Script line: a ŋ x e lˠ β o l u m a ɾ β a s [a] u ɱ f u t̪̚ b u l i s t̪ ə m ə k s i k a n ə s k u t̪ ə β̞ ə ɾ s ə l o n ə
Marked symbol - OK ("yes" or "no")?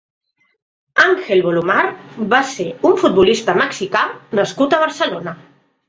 no